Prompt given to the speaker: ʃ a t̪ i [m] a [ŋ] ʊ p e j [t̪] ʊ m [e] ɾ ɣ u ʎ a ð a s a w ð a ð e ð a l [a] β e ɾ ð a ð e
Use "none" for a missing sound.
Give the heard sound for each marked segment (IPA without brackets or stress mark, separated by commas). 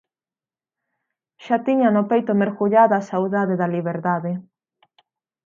ɲ, n, t̪, e, i